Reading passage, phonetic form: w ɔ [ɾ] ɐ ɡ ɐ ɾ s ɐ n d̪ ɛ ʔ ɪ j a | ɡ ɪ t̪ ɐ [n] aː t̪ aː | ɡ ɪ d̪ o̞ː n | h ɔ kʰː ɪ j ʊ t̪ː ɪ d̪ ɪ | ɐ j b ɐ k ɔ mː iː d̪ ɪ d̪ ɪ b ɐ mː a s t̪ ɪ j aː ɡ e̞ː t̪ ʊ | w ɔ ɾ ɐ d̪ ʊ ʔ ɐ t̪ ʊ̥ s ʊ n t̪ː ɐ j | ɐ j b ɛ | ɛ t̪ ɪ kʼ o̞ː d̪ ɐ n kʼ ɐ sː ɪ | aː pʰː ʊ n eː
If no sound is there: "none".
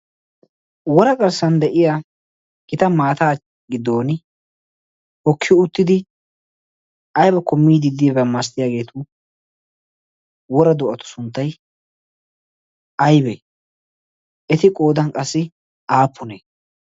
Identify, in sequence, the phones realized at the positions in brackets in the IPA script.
ɾ, m

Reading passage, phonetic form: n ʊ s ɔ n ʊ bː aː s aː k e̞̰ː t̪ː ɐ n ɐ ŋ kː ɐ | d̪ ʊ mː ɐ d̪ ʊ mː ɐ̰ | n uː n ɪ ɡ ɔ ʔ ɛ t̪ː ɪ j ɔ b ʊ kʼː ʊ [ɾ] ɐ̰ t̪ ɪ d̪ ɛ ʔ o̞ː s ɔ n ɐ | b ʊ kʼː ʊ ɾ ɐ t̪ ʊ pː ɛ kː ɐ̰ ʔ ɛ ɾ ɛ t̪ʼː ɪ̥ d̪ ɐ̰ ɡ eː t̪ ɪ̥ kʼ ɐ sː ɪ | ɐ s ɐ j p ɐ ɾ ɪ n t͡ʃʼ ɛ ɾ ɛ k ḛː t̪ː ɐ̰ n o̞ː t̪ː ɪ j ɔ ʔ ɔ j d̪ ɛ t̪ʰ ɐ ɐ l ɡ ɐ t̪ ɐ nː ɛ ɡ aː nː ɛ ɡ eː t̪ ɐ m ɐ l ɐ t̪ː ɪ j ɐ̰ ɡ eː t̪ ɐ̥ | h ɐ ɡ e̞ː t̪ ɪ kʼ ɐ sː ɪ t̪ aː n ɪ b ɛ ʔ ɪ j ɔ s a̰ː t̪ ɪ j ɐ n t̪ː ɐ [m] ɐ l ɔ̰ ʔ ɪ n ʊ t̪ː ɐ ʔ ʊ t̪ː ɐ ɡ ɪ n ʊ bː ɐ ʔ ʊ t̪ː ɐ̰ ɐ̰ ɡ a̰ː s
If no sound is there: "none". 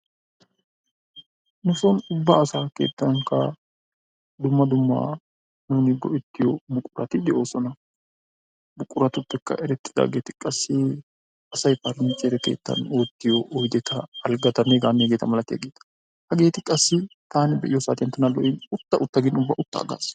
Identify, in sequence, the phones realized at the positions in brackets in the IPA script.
ɾ, n

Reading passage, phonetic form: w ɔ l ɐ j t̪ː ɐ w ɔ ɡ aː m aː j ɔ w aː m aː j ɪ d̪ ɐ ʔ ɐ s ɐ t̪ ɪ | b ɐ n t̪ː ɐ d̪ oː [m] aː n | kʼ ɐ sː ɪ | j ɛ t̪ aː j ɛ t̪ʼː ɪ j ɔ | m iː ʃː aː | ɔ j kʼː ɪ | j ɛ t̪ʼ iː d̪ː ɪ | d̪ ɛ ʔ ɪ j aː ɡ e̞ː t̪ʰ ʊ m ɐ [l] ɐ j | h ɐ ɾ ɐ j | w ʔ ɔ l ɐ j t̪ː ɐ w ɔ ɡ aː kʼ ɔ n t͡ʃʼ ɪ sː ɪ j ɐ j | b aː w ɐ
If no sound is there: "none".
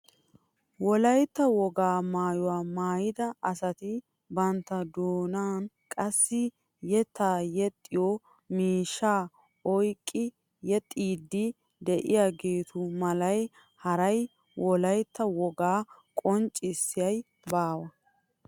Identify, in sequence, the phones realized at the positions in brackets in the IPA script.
n, l

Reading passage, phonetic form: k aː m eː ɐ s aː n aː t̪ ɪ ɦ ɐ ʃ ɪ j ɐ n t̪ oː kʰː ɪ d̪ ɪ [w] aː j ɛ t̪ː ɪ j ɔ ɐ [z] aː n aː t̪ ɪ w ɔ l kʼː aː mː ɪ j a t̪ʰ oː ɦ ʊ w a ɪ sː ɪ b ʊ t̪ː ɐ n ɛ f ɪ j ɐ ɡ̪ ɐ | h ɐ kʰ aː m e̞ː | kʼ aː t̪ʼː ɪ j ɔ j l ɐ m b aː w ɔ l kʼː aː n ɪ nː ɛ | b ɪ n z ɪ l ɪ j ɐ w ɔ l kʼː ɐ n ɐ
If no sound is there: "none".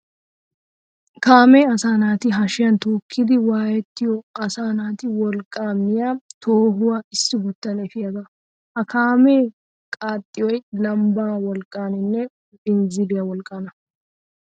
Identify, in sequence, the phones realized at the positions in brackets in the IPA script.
w, s

